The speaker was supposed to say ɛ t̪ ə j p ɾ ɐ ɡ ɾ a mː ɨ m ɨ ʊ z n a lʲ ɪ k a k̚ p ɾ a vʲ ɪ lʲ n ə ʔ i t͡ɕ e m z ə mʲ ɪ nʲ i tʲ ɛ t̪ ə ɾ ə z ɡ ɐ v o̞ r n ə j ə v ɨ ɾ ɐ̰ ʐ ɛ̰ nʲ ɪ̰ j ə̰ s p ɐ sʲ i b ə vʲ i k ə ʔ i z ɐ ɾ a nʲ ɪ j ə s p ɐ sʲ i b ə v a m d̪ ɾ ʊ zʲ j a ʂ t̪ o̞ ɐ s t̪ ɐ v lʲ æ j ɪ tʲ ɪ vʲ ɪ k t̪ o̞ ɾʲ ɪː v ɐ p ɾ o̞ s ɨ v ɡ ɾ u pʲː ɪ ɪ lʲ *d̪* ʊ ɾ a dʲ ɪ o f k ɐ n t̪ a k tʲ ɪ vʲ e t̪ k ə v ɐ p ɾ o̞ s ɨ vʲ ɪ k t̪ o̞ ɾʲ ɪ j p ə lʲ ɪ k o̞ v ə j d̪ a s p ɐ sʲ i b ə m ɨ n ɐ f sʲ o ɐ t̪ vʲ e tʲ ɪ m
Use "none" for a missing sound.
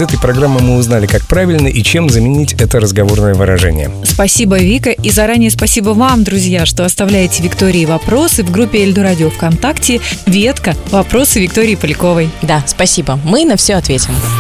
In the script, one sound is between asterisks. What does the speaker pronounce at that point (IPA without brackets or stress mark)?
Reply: d̪